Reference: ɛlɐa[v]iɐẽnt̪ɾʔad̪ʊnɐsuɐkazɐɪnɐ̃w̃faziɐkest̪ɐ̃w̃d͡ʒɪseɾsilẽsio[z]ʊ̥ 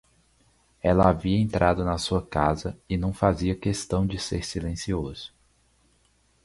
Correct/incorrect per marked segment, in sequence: correct, correct

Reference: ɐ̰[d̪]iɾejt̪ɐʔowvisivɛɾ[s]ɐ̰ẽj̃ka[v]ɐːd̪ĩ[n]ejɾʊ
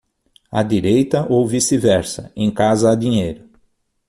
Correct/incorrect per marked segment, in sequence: correct, correct, incorrect: z, incorrect: ɲ

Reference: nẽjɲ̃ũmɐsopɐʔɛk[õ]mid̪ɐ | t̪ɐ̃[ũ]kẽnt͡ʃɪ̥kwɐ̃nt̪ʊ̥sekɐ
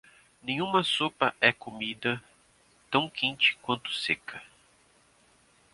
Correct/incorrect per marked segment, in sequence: incorrect: o, incorrect: w̃

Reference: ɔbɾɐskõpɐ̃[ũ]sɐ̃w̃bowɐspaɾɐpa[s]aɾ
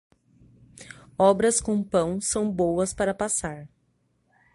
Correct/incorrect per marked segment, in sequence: incorrect: w̃, correct

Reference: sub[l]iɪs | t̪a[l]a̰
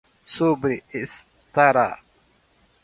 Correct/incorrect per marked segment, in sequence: incorrect: ɾ, incorrect: ɾ

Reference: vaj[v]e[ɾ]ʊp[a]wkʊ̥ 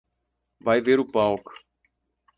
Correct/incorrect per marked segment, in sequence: correct, correct, correct

